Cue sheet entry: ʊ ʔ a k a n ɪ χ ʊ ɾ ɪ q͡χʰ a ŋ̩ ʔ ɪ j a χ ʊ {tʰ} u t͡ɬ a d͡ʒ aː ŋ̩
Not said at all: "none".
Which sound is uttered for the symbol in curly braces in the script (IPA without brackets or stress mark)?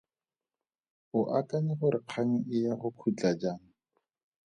kʰ